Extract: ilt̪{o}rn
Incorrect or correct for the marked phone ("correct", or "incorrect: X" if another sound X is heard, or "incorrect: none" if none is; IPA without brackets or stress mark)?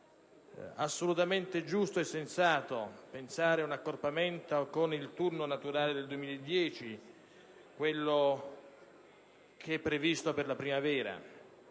incorrect: u